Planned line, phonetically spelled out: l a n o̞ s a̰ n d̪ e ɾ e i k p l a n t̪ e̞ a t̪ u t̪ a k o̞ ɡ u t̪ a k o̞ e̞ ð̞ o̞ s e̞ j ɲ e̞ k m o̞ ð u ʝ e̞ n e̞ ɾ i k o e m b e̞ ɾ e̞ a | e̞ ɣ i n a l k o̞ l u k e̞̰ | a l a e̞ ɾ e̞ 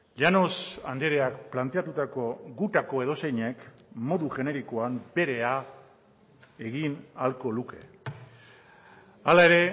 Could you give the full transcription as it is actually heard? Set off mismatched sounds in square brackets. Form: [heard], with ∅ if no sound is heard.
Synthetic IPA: [ʎ] a n o̞ s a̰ n d̪ e ɾ e [a] k p l a n t̪ e̞ a t̪ u t̪ a k o̞ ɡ u t̪ a k o̞ e̞ ð̞ o̞ s e̞ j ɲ e̞ k m o̞ ð u ʝ e̞ n e̞ ɾ i k o [a] m b e̞ ɾ e̞ a | e̞ ɣ i n a l k o̞ l u k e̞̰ | a l a e̞ ɾ e̞